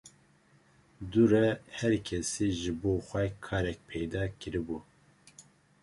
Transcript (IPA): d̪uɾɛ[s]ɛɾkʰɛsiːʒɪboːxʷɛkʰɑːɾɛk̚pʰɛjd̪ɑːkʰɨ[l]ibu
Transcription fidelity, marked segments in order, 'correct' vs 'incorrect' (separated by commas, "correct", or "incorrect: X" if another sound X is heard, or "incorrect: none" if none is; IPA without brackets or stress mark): incorrect: h, incorrect: ɾ